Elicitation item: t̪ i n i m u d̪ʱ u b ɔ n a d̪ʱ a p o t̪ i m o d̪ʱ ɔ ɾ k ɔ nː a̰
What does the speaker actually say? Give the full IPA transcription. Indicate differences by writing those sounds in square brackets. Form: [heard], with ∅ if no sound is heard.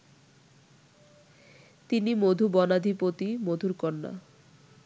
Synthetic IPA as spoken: t̪ i n i m [o] d̪ʱ u b ɔ n a d̪ʱ [i] p o t̪ i m o d̪ʱ [u] ɾ k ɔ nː a̰